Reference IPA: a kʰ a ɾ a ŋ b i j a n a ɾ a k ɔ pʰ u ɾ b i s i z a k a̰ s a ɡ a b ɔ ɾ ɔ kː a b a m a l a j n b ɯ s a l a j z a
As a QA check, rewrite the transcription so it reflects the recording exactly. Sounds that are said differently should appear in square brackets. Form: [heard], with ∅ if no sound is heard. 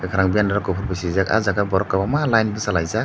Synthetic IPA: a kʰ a ɾ a ŋ b i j a n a ɾ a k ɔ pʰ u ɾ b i s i z a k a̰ [z] a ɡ a b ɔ ɾ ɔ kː a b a m a l a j n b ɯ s a l a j z a